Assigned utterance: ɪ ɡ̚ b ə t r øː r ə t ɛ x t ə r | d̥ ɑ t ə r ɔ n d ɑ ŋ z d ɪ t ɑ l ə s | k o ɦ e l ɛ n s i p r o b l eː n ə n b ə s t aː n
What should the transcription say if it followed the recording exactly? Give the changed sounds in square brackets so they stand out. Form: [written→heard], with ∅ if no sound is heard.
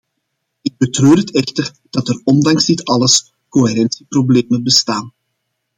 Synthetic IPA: ɪ ɡ̚ b ə t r øː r ə t ɛ x t ə r | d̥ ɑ t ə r ɔ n d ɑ ŋ z d ɪ t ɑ l ə s | k o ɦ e [l→ɾ] ɛ n s i p r o b l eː [n→m] ə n b ə s t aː n